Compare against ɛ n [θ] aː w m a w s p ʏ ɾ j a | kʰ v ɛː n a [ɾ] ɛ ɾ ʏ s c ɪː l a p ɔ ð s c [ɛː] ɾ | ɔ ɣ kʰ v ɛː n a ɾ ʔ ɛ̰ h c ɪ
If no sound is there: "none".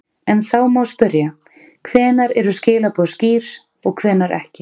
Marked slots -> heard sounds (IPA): θ, ɾ, iː

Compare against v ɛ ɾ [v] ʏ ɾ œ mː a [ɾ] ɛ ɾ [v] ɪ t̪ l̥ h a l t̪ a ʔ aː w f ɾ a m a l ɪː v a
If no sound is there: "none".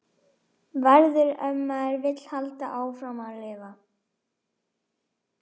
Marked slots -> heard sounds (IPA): ð, none, v

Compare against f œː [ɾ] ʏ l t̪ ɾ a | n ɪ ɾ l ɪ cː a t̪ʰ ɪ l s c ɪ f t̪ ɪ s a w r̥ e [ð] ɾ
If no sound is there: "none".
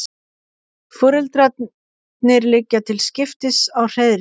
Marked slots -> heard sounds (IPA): ɾ, ð

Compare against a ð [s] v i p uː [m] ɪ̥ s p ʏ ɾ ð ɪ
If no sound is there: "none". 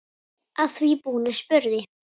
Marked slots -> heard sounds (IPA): θ, n

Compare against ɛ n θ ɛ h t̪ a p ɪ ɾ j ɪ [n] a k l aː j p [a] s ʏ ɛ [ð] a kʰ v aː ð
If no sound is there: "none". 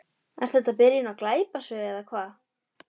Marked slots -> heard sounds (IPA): n, a, ð

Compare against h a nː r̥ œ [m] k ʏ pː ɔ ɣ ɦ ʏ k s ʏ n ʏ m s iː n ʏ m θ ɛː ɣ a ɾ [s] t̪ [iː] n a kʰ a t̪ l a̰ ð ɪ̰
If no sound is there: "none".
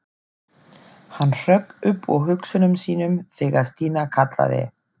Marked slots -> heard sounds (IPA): none, s, iː

